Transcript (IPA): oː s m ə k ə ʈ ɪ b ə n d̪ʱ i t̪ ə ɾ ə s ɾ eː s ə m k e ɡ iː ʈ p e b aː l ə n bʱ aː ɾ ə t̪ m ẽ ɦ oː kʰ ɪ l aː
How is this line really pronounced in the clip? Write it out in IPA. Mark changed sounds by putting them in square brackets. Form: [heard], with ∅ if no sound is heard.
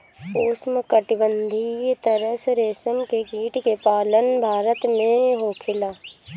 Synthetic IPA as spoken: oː s m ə k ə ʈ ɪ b ə n d̪ʱ i t̪ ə ɾ ə s ɾ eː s ə m k e ɡ iː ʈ [k] e [p] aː l ə n bʱ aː ɾ ə t̪ m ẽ ɦ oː kʰ ɪ l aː